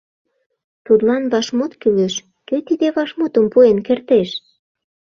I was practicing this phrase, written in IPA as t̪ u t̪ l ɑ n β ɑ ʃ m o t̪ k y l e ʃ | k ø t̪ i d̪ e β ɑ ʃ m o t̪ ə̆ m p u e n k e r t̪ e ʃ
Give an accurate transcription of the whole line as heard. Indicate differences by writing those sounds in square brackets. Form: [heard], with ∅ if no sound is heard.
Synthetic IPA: t̪ u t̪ l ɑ n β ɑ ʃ m o t̪ k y l e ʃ | k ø t̪ i d̪ e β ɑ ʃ m o t̪ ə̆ m p u e n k e r t̪ e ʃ